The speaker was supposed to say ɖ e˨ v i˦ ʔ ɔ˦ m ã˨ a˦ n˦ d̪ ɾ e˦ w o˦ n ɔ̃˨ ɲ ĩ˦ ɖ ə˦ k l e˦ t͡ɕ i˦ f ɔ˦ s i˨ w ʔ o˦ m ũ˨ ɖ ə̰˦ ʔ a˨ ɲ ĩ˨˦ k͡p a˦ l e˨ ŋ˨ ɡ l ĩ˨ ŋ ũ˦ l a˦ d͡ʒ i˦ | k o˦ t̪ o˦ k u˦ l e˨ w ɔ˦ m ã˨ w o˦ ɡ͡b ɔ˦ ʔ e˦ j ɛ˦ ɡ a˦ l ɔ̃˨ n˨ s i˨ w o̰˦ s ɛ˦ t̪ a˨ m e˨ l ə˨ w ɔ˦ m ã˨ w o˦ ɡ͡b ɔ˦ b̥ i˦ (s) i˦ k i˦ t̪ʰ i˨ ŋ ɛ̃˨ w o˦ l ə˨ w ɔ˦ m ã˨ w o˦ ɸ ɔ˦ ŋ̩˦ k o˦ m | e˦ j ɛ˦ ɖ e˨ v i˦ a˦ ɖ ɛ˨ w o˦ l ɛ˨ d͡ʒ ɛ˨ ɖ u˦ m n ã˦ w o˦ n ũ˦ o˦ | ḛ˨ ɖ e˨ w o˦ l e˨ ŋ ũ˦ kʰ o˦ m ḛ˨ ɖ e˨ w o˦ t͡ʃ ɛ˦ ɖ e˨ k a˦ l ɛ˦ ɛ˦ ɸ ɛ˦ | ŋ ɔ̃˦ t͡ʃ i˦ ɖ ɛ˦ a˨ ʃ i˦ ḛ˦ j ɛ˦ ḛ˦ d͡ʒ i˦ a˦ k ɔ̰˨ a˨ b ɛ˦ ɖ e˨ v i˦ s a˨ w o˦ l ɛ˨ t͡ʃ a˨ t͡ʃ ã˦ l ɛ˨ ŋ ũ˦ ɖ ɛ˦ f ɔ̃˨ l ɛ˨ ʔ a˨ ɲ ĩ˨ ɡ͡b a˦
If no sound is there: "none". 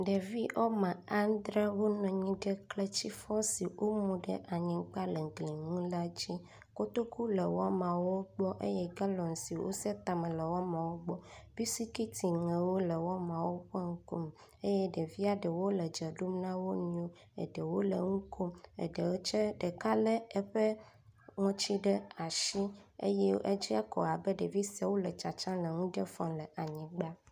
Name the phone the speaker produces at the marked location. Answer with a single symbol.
s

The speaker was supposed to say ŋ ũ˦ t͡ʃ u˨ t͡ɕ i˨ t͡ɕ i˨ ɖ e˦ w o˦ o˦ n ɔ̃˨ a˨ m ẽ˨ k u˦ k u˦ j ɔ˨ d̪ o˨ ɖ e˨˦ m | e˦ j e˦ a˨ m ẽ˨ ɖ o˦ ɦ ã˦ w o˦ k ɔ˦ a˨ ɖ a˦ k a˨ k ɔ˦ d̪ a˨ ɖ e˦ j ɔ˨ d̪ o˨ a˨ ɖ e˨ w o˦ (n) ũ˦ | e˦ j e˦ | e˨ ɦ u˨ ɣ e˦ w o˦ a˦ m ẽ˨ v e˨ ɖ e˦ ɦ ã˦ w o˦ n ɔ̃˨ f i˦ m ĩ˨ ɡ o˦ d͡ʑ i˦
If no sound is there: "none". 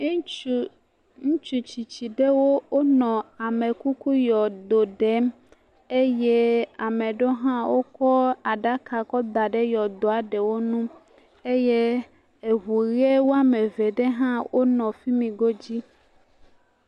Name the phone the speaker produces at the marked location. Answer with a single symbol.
n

